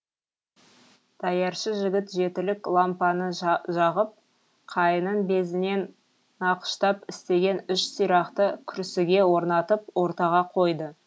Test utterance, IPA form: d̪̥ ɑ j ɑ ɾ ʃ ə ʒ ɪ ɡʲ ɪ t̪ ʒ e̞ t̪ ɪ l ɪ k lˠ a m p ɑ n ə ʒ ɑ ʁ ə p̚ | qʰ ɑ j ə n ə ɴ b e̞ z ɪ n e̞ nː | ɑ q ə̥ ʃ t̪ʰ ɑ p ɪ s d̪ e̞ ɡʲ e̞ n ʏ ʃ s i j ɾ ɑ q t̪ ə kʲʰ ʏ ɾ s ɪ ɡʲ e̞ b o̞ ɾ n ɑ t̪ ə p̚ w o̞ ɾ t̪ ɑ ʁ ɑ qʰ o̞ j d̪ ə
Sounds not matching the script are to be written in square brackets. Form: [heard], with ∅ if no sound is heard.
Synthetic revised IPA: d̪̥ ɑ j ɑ ɾ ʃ ə ʒ ɪ ɡʲ ɪ t̪ ʒ e̞ t̪ ɪ l ɪ k lˠ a m p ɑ n ə ʒ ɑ ʁ ə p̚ | qʰ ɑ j ə n ə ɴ b e̞ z ɪ n e̞ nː | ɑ q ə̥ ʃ [t̪] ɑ p ɪ s [t̪] e̞ ɡʲ e̞ n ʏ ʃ s i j ɾ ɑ q t̪ ə kʲʰ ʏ ɾ s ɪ ɡʲ e̞ [w] o̞ ɾ n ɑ t̪ ə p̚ w o̞ ɾ t̪ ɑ ʁ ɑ qʰ o̞ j d̪ ə

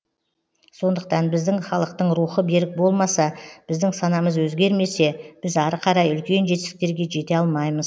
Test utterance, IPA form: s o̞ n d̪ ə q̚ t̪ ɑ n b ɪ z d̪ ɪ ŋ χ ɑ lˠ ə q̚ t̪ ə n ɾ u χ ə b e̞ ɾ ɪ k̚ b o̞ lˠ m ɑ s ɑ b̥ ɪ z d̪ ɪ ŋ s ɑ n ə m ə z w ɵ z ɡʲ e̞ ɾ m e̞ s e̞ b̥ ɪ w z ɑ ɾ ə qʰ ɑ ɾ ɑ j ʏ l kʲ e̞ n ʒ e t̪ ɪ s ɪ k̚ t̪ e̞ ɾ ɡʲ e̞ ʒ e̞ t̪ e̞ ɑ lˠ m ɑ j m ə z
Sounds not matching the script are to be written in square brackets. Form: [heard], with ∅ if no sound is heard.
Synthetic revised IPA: s o̞ n d̪ ə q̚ t̪ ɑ n b ɪ z d̪ ɪ ŋ χ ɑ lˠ ə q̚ t̪ ə [ɴ] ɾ u χ ə b e̞ ɾ ɪ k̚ b o̞ lˠ m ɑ s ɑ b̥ ɪ z d̪ ɪ ŋ s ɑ n [ɑ] m ə z w ɵ z ɡʲ e̞ ɾ m e̞ s e̞ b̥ ɪ [∅] z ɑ ɾ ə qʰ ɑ ɾ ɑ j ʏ l kʲ e̞ n ʒ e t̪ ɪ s ɪ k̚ t̪ e̞ ɾ ɡʲ e̞ ʒ e̞ t̪ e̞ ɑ lˠ m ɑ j m ə z

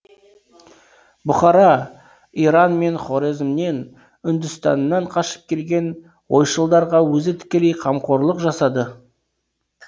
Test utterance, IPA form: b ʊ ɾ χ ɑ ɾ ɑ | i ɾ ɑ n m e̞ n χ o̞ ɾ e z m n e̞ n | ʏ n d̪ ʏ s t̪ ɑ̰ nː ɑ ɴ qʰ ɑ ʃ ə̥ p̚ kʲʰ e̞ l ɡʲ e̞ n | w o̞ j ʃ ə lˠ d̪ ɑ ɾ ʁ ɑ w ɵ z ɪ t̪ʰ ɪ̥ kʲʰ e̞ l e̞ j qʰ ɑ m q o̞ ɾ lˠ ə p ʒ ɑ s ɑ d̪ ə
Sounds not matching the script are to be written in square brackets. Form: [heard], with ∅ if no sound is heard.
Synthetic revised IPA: b ʊ [∅] χ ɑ ɾ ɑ | i ɾ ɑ n m e̞ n χ o̞ ɾ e z m n e̞ n | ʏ n d̪ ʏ s t̪ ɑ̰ nː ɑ ɴ qʰ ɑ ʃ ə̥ p̚ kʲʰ e̞ l ɡʲ e̞ n | w o̞ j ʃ ə lˠ d̪ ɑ ɾ ʁ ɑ w ɵ z ɪ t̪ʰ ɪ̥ [kʲ] e̞ l e̞ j qʰ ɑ m q o̞ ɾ lˠ ə [q] ʒ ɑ s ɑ d̪ ə

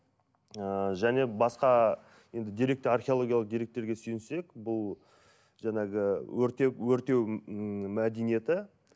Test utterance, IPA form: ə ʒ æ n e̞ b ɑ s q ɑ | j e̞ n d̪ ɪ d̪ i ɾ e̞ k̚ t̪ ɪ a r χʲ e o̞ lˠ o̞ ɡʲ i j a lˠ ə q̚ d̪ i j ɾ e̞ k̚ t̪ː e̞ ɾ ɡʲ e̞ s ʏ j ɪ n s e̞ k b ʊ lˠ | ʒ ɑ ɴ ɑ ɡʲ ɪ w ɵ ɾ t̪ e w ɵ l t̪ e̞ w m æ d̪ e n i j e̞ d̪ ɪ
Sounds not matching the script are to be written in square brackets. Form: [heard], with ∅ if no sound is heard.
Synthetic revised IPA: ə ʒ æ n e̞ b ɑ s q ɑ | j e̞ n d̪ ɪ d̪ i ɾ e̞ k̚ t̪ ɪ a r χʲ e o̞ lˠ o̞ ɡʲ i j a lˠ ə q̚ d̪ i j ɾ e̞ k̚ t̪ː e̞ ɾ ɡʲ e̞ s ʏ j ɪ n s e̞ k b ʊ lˠ | ʒ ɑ ɴ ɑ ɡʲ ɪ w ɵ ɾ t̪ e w ɵ [ɾ] t̪ e̞ w m æ d̪ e n i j e̞ [t̪] ɪ

